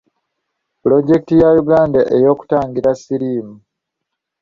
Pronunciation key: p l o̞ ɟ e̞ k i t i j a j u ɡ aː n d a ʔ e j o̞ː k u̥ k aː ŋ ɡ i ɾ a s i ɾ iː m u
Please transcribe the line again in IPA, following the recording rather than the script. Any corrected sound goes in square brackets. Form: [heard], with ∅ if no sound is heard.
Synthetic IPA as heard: p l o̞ ɟ e̞ k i t i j a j u ɡ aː n d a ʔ e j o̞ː k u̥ [t] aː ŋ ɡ i ɾ a s i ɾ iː m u